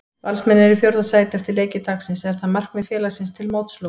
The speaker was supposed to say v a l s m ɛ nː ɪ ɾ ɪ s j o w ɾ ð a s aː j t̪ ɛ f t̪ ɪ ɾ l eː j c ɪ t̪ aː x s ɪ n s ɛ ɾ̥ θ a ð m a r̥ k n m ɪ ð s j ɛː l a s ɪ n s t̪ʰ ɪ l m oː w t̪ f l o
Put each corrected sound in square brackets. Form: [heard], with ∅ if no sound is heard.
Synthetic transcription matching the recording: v a l s m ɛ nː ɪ ɾ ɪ [f] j o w ɾ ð a s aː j t̪ ɛ f t̪ ɪ ɾ l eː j c ɪ t̪ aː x s ɪ n s ɛ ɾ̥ θ a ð m a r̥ k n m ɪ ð [f] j ɛː l a s ɪ n s t̪ʰ ɪ l m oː w t̪ [s] l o